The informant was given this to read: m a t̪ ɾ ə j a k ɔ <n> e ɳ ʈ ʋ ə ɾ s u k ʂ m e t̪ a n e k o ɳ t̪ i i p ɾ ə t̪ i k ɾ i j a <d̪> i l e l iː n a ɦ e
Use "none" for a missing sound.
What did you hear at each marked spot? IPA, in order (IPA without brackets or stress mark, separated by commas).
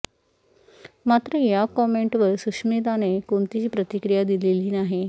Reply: m, d̪